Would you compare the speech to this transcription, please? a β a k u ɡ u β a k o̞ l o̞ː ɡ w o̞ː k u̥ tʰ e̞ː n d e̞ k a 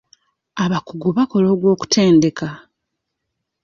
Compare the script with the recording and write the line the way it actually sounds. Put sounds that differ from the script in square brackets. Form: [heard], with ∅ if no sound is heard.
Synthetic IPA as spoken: a β a k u ɡ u β a k o̞ l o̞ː ɡ w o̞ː k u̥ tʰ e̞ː n d e̞ k a